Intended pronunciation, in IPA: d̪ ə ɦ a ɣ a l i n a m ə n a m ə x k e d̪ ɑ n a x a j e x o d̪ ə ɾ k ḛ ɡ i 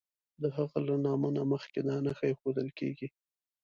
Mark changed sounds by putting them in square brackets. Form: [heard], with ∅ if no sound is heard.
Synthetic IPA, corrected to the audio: d̪ ə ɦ a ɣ a l [a] n [ɑ] m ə n a m ə x k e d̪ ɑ n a x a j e x o d̪ ə [l] k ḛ ɡ i